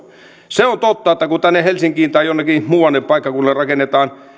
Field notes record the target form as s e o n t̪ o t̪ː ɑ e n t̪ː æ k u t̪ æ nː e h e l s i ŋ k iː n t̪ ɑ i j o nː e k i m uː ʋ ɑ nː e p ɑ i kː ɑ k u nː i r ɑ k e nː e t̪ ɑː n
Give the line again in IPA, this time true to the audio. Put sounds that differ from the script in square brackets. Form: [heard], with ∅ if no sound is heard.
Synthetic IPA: s e o n t̪ o t̪ː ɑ e [∅] t̪ː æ k u t̪ æ nː e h e l s i ŋ k iː n t̪ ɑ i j o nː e k i m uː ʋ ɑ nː e p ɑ i kː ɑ k u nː [e] r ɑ k e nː e t̪ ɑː n

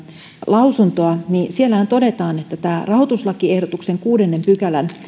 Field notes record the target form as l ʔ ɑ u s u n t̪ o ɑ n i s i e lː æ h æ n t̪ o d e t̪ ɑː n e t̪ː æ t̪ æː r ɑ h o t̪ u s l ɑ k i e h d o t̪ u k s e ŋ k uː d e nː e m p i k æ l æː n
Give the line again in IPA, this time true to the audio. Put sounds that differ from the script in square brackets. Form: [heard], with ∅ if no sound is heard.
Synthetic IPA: l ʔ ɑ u s u n t̪ o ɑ n i s i e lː æ h æ n t̪ o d e t̪ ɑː n e t̪ː æ t̪ æː r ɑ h o t̪ u s l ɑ k i e h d o t̪ u k s e ŋ k uː d e nː e m p [y] k æ l [æ] n

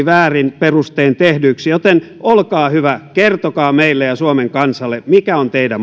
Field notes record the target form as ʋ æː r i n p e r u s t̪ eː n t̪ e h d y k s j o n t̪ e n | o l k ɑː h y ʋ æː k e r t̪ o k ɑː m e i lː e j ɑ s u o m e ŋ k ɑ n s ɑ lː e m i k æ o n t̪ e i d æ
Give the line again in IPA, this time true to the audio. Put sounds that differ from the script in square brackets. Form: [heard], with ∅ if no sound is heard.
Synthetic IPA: ʋ æː r i n p e r u s t̪ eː n t̪ e h d y k s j o [∅] t̪ e n | o l k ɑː h y ʋ [æ] k e r t̪ o k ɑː m e i lː e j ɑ s u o m e ŋ k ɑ n s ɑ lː e m i k æ o n t̪ e i d æ

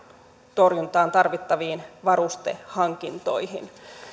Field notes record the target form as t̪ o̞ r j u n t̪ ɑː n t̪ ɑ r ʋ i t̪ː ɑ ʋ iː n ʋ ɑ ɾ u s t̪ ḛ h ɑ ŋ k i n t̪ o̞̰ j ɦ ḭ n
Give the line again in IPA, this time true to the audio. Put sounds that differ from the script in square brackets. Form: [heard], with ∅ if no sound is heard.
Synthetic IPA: t̪ o̞ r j u n t̪ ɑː n t̪ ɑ r ʋ i t̪ː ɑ ʋ iː n ʋ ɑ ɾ u s t̪ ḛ h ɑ ŋ k i n t̪ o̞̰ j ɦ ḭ n

